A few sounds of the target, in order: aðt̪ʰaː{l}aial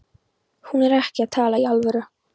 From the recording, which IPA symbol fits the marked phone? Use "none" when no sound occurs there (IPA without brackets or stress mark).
l